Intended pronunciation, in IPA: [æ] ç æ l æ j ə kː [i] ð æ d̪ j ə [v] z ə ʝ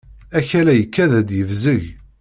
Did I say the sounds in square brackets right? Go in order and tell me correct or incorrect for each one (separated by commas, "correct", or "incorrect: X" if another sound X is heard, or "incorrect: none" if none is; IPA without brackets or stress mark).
correct, incorrect: æ, correct